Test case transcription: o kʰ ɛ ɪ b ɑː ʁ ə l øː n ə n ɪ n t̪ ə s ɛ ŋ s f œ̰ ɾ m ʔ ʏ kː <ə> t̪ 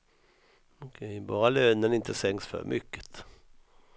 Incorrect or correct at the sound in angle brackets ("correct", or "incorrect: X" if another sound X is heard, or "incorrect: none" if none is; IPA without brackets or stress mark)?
correct